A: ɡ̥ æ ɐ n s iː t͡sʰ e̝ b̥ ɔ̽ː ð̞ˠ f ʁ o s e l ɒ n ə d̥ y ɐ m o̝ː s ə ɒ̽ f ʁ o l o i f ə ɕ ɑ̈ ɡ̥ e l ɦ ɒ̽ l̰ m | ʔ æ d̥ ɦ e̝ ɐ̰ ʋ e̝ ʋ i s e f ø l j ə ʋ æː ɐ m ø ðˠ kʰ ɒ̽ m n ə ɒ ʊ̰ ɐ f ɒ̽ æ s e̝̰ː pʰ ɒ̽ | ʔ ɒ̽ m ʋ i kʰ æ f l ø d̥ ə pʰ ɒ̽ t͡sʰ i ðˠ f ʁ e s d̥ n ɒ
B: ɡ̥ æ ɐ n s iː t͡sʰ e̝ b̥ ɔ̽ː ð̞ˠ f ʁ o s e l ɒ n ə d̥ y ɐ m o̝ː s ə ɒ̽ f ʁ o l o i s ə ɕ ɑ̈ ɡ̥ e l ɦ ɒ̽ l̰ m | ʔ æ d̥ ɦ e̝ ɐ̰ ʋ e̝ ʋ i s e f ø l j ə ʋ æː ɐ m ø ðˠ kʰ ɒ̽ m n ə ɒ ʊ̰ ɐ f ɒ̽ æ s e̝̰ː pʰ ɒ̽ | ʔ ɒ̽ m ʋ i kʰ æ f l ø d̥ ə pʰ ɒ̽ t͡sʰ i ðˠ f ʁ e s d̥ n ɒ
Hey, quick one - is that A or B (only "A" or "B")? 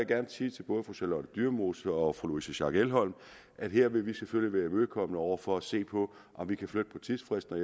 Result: B